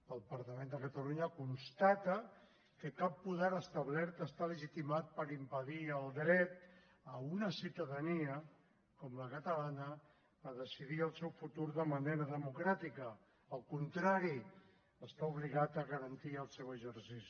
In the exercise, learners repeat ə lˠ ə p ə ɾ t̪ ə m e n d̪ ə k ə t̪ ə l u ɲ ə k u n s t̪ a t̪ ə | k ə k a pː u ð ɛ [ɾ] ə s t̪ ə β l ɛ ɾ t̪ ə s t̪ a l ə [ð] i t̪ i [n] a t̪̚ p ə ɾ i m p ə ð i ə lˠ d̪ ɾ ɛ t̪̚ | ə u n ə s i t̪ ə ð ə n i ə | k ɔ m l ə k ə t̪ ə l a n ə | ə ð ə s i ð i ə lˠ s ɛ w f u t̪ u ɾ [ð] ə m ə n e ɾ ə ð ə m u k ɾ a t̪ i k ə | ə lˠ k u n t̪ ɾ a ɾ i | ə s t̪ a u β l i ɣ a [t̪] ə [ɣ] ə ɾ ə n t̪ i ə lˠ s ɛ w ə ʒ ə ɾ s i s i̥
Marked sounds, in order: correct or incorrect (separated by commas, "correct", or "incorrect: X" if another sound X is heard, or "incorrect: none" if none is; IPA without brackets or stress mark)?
correct, incorrect: ʒ, incorrect: m, correct, correct, correct